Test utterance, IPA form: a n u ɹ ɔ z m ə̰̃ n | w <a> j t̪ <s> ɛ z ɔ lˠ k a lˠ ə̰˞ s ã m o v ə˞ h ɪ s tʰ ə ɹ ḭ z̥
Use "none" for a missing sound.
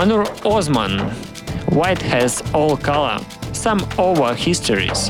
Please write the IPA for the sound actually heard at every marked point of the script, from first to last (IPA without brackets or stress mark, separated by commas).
a, h